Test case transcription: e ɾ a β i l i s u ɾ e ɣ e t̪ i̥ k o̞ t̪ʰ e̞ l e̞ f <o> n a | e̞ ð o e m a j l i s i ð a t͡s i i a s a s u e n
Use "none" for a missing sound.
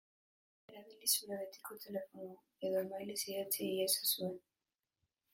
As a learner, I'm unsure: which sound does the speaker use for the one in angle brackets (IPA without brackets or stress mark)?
o